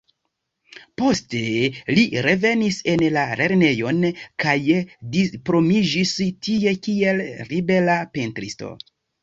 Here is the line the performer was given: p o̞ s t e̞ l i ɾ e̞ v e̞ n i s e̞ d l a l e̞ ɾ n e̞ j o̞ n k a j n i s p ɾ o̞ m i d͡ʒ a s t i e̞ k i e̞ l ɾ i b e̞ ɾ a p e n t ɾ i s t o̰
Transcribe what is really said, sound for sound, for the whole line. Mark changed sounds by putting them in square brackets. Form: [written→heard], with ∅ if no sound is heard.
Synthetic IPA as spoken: p o̞ s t e̞ l i ɾ e̞ v e̞ n i s e̞ [d→n] l a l e̞ ɾ n e̞ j o̞ n k a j [n→d] i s p ɾ o̞ m i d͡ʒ [a→i] s t i e̞ k i e̞ l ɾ i b e̞ [ɾ→l] a p e n t ɾ i s t o̰